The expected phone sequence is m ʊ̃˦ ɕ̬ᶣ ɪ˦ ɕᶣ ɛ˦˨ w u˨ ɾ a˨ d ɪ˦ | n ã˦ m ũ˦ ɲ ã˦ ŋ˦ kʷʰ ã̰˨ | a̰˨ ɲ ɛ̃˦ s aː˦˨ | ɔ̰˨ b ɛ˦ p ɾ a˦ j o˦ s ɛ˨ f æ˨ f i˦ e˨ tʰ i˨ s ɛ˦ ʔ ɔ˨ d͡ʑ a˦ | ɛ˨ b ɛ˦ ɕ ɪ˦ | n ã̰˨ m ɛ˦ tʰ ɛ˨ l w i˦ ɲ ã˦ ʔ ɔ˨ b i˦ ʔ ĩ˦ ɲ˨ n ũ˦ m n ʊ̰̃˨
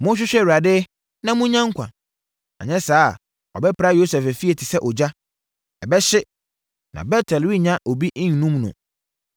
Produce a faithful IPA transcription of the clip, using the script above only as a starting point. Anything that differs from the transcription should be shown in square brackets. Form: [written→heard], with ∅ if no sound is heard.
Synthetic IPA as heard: m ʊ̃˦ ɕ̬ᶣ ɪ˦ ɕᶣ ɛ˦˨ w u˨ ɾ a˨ d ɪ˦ | n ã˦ m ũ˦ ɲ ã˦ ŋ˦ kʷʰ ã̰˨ | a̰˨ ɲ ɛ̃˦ s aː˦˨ | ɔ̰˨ b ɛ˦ p ɾ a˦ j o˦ s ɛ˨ f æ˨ f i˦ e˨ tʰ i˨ s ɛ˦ ʔ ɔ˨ d͡ʑ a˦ | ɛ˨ b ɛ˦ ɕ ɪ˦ | n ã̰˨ [m→b] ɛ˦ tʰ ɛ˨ l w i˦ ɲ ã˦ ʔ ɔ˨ b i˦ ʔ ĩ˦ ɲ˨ n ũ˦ m n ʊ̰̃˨